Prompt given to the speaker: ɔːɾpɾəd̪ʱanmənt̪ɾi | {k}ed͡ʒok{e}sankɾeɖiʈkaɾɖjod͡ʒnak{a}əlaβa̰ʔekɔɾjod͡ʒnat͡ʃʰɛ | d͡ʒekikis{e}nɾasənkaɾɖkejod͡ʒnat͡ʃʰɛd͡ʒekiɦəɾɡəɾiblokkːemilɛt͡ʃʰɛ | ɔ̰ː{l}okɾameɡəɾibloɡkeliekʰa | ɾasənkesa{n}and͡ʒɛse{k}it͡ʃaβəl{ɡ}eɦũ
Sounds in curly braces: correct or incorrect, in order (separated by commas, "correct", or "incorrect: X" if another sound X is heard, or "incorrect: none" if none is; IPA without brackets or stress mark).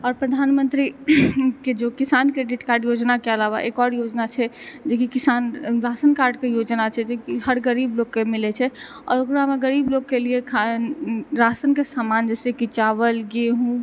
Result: correct, incorrect: i, incorrect: e, incorrect: a, incorrect: ɾ, incorrect: m, correct, correct